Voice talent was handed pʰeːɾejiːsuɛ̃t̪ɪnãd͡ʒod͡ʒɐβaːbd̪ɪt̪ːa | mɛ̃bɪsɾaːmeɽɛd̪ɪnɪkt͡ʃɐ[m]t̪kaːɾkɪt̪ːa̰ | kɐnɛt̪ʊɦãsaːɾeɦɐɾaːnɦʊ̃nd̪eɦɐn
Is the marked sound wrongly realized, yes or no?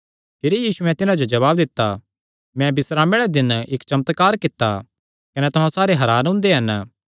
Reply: no